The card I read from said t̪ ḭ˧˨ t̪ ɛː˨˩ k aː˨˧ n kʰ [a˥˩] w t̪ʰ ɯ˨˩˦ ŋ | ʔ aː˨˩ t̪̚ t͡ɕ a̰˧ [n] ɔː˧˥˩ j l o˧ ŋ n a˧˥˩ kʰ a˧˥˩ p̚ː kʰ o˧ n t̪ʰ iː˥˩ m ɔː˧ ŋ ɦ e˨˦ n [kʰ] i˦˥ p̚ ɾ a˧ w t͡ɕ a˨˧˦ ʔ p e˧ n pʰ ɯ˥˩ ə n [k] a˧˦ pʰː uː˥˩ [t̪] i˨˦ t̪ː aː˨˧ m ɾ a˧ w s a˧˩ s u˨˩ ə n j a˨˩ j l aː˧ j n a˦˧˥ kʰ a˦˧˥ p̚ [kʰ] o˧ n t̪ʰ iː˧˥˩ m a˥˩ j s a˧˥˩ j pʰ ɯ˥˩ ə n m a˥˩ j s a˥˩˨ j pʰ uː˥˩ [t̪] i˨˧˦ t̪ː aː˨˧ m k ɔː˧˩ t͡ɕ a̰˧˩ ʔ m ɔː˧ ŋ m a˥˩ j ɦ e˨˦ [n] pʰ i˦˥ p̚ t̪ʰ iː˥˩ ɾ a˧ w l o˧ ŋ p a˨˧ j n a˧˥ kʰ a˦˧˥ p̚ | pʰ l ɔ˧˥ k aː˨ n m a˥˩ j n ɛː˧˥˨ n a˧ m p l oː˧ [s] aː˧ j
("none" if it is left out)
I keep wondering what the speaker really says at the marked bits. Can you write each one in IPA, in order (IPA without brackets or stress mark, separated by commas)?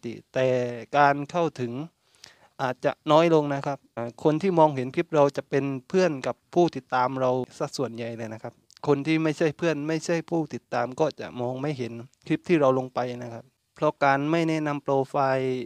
a˥˩, n, pʰ, k, t̪, kʰ, t̪, n, f